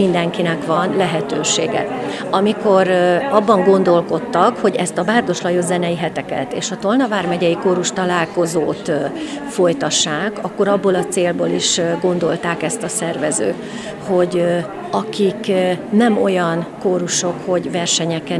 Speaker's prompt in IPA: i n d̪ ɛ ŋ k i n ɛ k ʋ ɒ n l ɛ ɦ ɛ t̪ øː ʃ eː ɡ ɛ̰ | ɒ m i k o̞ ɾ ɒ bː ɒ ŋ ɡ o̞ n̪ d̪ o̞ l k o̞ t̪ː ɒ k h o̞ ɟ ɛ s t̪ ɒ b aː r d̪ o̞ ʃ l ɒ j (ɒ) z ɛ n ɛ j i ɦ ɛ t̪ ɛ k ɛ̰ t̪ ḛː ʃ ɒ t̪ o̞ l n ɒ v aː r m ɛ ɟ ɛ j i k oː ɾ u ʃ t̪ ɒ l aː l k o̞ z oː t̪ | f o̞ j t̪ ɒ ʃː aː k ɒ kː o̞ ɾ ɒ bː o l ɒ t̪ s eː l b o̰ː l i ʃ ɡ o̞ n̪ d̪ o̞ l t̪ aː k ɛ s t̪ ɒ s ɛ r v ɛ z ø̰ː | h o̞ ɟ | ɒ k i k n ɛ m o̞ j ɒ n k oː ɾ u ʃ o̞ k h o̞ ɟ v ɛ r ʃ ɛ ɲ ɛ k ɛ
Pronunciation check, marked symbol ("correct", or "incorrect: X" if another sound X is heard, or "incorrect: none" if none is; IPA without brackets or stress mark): incorrect: o